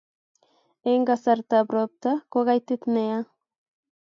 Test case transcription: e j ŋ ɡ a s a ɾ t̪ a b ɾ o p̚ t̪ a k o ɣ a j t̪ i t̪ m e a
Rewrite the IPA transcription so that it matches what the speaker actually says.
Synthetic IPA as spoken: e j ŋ ɡ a s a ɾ t̪ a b ɾ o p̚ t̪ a k o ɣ a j t̪ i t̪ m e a